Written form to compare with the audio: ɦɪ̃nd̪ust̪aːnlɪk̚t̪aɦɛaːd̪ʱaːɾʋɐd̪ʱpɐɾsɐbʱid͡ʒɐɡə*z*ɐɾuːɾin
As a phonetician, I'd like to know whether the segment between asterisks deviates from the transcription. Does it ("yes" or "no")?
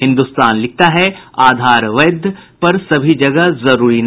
no